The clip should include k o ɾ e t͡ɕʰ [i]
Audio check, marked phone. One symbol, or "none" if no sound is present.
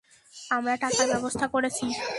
i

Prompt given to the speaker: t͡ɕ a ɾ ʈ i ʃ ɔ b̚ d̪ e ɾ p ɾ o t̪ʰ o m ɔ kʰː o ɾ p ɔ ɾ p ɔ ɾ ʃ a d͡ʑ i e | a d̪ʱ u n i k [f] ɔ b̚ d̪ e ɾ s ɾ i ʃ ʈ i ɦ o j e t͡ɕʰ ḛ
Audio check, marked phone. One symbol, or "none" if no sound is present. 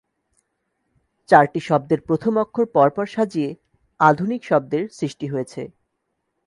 ʃ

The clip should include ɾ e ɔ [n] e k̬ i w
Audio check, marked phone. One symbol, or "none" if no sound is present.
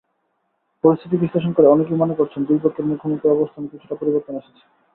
n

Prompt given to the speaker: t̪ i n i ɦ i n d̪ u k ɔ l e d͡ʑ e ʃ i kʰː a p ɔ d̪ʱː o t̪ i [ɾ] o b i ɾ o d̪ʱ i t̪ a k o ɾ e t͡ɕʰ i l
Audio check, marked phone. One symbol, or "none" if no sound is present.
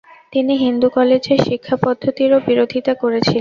ɾ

